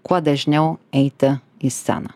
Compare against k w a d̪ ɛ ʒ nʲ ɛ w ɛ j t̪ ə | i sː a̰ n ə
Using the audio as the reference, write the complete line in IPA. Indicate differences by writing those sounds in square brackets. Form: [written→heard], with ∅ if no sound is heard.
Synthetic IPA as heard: k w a d̪ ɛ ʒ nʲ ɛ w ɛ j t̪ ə | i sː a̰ n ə

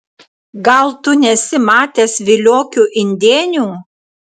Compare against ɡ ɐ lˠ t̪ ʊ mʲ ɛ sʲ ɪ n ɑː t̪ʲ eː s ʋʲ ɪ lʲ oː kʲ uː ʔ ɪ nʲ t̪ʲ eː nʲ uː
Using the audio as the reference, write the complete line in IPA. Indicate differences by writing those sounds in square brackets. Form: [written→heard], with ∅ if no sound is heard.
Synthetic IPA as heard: ɡ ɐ lˠ t̪ ʊ [mʲ→nʲ] ɛ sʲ ɪ [n→m] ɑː t̪ʲ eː s ʋʲ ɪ lʲ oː kʲ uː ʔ ɪ nʲ [t̪ʲ→d̪ʲ] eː nʲ uː

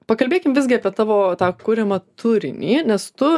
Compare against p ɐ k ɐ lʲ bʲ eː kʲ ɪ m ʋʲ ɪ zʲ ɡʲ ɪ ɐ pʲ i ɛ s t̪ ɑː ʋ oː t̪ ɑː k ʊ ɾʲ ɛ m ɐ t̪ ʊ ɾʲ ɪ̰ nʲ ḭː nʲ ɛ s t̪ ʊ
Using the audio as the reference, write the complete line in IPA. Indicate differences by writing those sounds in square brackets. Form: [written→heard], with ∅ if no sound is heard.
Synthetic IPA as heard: p ɐ k ɐ lʲ bʲ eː kʲ ɪ m ʋʲ ɪ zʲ ɡʲ ɪ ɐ pʲ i ɛ [s→∅] t̪ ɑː ʋ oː t̪ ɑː k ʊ ɾʲ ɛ m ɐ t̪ ʊ ɾʲ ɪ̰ nʲ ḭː nʲ ɛ s t̪ ʊ

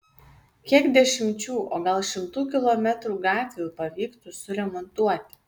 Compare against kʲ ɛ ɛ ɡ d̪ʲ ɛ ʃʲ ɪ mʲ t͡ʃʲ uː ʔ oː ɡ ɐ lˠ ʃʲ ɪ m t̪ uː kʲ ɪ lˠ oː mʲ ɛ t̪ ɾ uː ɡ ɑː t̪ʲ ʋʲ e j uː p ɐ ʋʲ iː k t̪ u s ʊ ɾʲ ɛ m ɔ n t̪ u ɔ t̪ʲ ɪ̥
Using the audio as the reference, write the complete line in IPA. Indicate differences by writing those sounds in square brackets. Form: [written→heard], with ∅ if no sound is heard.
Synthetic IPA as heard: kʲ [ɛ→i] ɛ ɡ d̪ʲ ɛ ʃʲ ɪ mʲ t͡ʃʲ uː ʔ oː ɡ ɐ lˠ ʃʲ ɪ m t̪ uː kʲ ɪ lˠ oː mʲ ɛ t̪ ɾ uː ɡ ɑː t̪ʲ ʋʲ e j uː p ɐ ʋʲ iː k t̪ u s ʊ ɾʲ ɛ m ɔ n t̪ u ɔ t̪ʲ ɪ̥

